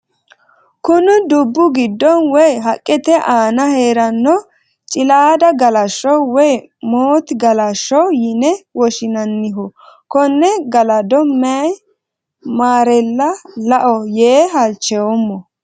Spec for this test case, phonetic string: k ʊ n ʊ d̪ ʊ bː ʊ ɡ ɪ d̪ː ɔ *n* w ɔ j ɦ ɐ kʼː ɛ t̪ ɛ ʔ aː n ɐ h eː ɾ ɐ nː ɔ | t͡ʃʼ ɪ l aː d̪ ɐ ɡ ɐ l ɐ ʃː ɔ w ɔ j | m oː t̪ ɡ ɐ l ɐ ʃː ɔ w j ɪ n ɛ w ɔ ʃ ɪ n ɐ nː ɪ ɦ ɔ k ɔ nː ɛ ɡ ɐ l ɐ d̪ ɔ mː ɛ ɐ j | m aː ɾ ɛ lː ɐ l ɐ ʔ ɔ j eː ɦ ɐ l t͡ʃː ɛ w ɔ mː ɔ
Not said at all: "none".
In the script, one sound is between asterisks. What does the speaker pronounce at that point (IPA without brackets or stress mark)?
n